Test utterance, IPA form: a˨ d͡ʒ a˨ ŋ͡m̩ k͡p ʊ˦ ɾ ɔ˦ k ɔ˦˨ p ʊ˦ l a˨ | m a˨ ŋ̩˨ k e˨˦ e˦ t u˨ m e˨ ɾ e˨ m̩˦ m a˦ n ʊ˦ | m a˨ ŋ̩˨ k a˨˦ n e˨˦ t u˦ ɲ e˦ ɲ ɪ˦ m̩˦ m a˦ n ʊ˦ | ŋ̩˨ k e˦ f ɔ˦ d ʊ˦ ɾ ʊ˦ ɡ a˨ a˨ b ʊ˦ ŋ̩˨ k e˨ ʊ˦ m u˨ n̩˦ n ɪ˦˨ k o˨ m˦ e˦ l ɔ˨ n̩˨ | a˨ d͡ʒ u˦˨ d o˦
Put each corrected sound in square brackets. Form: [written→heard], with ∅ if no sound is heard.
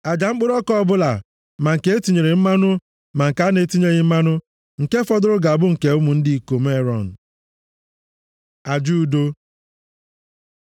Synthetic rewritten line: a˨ d͡ʒ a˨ ŋ͡m̩ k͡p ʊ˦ ɾ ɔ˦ k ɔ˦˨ [p→b] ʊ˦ l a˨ | m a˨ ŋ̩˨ k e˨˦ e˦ t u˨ [m→ɲ] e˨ ɾ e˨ m̩˦ m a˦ n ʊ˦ | m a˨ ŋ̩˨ k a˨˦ n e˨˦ t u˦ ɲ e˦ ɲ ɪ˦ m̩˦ m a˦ n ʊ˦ | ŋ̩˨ k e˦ f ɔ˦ d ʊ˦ ɾ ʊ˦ ɡ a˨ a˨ b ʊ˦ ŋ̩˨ k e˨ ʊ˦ m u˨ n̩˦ [n→d] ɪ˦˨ k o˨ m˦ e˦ [l→ɾ] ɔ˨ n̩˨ | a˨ d͡ʒ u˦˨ d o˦